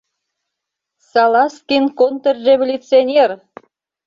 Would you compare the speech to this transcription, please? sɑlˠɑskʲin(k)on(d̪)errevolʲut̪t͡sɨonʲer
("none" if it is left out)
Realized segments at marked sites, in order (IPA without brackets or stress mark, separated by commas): k, t̪